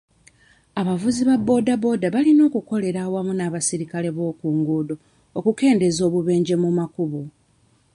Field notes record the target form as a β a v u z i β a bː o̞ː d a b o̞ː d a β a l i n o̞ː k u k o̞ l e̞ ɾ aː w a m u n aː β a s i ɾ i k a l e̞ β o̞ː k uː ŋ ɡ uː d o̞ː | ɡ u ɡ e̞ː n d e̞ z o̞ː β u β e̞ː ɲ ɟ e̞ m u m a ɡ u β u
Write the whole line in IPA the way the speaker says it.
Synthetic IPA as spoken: a β a v u z i β a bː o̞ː d a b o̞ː d a β a l i n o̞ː k u k o̞ l e̞ ɾ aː w a m u n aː β a s i ɾ i k a l e̞ β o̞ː k uː ŋ ɡ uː d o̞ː | k u k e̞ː n d e̞ z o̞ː β u β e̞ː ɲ ɟ e̞ m u m a k u β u